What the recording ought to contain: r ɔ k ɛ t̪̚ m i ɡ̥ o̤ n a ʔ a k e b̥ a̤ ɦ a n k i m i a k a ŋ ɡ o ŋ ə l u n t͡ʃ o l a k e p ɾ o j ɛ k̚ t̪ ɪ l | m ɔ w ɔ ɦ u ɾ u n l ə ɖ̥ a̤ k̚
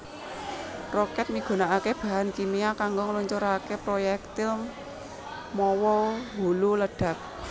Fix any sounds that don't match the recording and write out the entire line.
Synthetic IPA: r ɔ k ɛ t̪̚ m i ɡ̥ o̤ n a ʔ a k e b̥ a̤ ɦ a n k i m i a k a ŋ ɡ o ŋ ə l u ɲ t͡ʃ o ɾ a k e p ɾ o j ɛ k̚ t̪ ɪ l | m ɔ w ɔ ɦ u l u l ə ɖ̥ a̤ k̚